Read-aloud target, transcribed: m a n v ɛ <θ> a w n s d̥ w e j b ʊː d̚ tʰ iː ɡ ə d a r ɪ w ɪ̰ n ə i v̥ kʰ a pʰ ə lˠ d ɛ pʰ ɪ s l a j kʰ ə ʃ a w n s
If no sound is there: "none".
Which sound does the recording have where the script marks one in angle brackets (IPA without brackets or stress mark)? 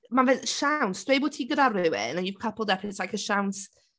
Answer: ʃ